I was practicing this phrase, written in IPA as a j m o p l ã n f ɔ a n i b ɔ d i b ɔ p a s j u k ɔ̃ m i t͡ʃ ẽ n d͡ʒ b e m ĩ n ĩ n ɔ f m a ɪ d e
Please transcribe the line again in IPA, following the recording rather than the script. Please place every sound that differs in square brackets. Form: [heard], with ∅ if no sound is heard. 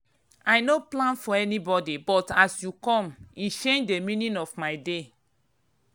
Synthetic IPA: a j [n] o p l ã n f ɔ [ɛ] n i b ɔ d i b ɔ [t] a s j u k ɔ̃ m i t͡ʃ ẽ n d͡ʒ [d] e m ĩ n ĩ n ɔ f m a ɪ d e